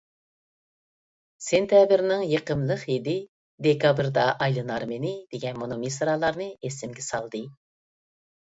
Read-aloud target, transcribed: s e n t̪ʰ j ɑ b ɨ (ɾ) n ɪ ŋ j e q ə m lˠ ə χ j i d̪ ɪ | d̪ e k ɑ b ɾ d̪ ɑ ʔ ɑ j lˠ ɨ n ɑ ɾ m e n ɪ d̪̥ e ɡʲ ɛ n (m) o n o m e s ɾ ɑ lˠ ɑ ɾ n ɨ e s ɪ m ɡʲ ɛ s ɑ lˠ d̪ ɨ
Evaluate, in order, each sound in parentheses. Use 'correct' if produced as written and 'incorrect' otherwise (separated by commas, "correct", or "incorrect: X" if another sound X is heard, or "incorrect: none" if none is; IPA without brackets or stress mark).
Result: correct, correct